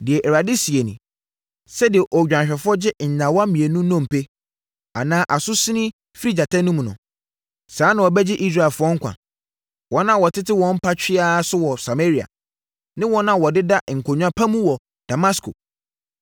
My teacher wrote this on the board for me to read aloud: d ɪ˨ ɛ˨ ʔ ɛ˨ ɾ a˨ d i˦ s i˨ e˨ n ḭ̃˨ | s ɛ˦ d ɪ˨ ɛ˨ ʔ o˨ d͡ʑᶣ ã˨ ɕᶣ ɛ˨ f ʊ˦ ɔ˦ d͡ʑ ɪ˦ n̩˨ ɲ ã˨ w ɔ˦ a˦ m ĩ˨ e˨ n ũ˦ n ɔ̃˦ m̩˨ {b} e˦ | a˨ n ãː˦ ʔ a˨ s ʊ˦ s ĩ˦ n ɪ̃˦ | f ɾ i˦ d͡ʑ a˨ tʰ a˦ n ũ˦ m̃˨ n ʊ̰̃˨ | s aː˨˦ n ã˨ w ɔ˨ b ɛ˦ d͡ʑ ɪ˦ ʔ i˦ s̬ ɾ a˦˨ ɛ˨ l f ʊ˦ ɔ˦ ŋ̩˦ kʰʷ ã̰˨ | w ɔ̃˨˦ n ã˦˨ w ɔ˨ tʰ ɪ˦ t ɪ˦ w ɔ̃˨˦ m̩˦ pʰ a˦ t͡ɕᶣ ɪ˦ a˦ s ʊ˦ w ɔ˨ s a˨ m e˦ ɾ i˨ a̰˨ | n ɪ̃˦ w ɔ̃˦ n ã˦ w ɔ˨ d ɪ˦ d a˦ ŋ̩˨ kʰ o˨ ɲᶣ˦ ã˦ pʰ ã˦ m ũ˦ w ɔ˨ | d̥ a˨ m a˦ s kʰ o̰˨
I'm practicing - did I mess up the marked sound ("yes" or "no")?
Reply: yes